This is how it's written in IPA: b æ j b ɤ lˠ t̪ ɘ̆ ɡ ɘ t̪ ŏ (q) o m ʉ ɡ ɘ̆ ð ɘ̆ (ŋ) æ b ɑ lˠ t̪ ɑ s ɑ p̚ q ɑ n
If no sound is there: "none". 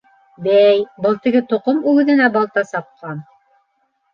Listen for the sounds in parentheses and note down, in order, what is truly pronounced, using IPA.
q, n

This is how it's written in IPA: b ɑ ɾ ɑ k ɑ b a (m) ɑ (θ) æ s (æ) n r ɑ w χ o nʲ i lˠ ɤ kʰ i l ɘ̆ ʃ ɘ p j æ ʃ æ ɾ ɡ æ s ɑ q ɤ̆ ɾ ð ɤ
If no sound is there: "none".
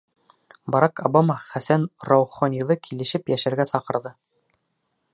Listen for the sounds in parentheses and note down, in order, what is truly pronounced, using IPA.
m, χ, æ

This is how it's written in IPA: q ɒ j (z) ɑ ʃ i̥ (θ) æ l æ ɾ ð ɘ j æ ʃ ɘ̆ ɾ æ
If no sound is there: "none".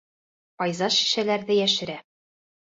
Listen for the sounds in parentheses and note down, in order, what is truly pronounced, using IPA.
z, ʃ

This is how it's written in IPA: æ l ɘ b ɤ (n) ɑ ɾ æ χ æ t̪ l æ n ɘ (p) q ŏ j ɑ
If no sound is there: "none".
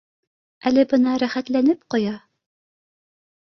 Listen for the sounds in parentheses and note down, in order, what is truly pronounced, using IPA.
n, p

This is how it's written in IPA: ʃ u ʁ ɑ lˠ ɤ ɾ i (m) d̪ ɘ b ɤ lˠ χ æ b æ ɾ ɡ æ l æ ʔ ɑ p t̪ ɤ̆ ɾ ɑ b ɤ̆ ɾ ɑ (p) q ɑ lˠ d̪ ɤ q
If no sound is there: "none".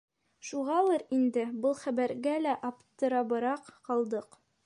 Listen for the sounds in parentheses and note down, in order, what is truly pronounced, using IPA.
n, q

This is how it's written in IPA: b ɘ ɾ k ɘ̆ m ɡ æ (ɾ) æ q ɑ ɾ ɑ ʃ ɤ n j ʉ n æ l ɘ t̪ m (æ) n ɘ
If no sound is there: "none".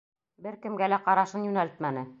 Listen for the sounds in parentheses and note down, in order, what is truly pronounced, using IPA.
l, æ

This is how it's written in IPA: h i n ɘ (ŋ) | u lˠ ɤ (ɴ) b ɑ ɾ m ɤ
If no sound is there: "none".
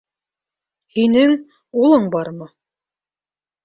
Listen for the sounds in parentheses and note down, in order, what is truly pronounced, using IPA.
ŋ, ɴ

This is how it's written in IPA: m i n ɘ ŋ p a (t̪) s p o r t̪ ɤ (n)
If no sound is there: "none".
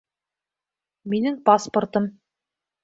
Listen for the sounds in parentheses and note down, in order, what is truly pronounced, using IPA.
none, m

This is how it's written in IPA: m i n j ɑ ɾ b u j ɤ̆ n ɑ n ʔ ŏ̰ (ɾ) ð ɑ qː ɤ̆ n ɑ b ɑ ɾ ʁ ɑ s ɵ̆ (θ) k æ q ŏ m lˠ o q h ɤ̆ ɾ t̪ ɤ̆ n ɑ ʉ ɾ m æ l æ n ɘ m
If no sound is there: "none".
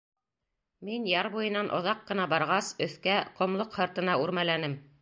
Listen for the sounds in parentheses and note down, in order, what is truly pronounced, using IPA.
none, θ

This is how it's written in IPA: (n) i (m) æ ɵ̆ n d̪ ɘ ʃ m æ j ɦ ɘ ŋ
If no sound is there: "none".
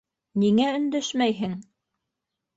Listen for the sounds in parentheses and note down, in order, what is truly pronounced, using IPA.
n, ŋ

